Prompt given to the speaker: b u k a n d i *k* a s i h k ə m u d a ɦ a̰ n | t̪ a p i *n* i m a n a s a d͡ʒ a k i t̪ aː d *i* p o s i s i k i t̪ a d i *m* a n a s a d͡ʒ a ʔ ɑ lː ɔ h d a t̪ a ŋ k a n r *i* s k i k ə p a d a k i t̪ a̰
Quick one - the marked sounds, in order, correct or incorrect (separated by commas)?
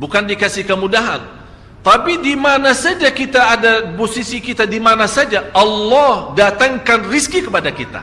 correct, incorrect, incorrect, correct, correct